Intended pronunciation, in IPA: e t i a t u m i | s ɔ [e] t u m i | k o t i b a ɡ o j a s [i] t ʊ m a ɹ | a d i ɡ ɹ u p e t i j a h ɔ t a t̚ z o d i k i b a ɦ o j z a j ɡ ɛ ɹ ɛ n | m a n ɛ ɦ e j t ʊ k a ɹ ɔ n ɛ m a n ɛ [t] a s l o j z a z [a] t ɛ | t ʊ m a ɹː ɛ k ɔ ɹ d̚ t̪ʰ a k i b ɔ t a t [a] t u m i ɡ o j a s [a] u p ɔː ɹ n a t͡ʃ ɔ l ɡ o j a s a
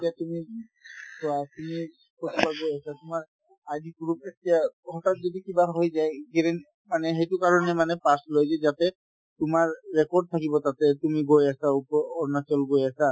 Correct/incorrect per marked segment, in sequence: incorrect, incorrect, incorrect, correct, incorrect, correct

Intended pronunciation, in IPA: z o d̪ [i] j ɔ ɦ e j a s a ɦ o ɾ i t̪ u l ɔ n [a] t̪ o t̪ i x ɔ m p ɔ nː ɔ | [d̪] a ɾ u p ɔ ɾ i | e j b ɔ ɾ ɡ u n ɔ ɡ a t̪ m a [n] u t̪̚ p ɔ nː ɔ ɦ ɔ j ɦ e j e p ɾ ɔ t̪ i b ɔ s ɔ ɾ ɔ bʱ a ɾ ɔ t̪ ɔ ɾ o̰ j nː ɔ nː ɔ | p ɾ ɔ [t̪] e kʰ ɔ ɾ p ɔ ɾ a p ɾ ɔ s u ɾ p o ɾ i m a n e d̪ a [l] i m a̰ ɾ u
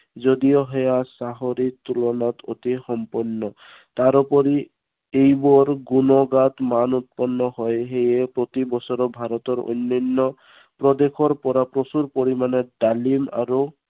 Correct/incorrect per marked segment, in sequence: correct, correct, incorrect, correct, incorrect, correct

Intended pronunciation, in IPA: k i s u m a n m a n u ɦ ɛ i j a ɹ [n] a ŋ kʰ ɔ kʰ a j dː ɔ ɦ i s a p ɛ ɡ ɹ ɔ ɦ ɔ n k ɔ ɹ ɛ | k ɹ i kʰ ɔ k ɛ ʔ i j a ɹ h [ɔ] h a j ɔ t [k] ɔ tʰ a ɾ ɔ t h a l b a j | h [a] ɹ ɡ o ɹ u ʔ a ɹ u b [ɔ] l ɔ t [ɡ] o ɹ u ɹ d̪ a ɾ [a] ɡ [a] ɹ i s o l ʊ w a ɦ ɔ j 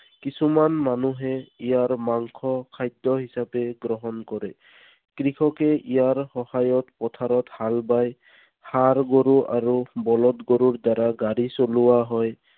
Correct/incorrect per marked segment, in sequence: incorrect, correct, incorrect, correct, correct, correct, correct, correct

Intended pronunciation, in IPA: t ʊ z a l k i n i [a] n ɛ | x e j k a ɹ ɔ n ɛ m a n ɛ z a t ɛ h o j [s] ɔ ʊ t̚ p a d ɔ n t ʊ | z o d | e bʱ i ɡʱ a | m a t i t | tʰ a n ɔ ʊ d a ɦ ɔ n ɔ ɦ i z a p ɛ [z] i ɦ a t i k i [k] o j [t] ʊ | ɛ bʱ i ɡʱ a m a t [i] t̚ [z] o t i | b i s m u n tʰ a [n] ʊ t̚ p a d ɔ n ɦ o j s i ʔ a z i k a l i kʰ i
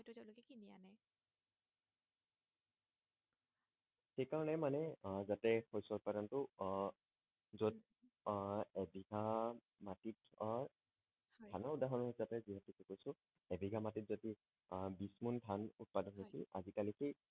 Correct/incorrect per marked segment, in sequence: correct, correct, correct, correct, incorrect, correct, correct, correct

